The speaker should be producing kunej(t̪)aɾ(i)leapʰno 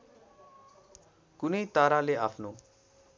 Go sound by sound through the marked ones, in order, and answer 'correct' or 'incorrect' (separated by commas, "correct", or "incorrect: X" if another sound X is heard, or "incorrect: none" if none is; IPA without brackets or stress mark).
correct, incorrect: a